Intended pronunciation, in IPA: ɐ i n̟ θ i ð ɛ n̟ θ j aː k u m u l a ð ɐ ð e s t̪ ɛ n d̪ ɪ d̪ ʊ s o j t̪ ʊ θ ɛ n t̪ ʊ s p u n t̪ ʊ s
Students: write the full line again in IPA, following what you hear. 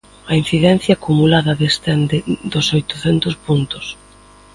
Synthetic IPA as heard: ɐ i n̟ θ i ð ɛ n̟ θ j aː k u m u l a ð ɐ ð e s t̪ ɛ n d̪ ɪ d̪ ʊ s o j t̪ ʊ θ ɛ n t̪ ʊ s p u n t̪ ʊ s

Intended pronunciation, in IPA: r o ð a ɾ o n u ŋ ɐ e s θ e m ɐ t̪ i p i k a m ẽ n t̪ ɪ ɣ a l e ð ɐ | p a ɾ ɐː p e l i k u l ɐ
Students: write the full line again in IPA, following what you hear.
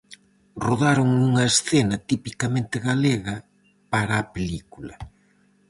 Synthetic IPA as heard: r o ð a ɾ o ŋ u ŋ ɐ e s θ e n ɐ t̪ i p i k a m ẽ n t̪ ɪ ɣ a l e ɣ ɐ | p a ɾ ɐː p e l i k u l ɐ

